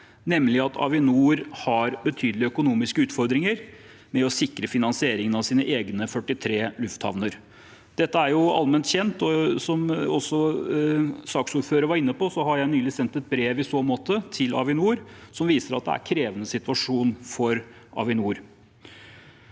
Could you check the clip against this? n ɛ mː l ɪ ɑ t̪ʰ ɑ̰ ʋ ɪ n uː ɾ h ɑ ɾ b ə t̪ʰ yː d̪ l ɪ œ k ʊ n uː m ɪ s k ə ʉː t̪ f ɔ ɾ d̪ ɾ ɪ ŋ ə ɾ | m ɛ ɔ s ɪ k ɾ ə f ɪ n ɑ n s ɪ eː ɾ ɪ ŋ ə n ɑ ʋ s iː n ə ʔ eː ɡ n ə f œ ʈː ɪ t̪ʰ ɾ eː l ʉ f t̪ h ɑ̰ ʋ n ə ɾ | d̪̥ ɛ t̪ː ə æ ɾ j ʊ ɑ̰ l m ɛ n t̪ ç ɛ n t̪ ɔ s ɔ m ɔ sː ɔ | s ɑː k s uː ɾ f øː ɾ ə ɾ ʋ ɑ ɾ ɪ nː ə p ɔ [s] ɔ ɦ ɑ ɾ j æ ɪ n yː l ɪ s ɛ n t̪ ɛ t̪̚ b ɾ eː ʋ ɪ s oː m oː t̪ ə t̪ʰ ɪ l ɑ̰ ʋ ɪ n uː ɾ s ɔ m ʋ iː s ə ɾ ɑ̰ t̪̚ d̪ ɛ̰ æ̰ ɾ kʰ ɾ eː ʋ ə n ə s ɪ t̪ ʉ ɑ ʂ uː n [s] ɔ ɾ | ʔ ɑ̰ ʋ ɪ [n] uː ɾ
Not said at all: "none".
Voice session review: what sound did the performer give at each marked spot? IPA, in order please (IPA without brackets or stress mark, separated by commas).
s, f, n